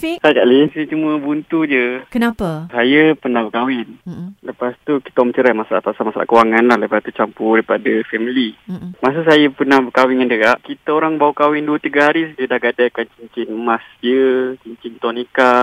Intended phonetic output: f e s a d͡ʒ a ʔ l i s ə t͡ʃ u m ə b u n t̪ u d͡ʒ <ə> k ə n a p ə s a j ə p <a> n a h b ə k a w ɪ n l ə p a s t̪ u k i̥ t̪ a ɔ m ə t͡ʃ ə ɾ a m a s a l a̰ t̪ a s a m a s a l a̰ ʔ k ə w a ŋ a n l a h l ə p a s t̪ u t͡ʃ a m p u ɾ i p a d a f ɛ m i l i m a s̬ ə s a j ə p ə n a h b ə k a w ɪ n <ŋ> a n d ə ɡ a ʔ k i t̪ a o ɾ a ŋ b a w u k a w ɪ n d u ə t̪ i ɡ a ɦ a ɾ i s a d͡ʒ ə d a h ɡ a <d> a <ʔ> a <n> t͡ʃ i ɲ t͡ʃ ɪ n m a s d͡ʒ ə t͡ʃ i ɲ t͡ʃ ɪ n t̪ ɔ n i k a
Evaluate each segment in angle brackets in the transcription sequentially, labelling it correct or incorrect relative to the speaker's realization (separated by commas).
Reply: correct, incorrect, correct, correct, incorrect, correct